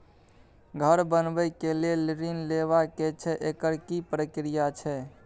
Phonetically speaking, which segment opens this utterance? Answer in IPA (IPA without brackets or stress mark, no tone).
ɡʱ